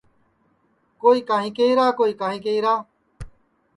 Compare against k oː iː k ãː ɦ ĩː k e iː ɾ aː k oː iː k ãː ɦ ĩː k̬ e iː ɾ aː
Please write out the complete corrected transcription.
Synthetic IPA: k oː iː k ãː ɦ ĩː k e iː ɾ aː k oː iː k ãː ɦ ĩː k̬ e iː ɾ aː